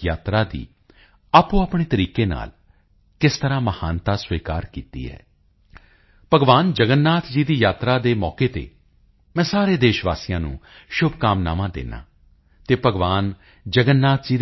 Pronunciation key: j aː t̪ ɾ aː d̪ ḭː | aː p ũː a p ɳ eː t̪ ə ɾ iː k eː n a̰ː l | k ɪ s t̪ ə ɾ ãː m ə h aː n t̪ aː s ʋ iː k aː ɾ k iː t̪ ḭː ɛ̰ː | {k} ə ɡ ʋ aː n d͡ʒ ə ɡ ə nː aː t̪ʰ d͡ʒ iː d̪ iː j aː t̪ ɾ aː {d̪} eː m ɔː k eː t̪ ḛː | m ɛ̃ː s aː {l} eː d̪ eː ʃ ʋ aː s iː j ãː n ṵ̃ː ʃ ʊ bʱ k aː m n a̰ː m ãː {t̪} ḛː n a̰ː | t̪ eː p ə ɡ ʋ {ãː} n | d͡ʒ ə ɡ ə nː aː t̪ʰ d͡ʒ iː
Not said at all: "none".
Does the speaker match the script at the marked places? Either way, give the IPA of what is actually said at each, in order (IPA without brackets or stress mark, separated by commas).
p, d̪, ɾ, d̪, aː